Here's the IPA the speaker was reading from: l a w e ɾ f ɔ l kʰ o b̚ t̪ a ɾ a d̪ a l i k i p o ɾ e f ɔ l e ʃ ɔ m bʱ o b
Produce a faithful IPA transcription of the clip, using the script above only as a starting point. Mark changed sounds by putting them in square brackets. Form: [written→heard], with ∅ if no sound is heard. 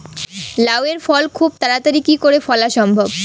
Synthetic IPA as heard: l a w e ɾ f ɔ l kʰ [o→u] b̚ t̪ a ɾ a [d̪→t̪] a [l→ɾ] i k i [p→k] o ɾ e f ɔ l [e→a] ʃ ɔ m bʱ o b